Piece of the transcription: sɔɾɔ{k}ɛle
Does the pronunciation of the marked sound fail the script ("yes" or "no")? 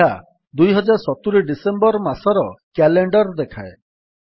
no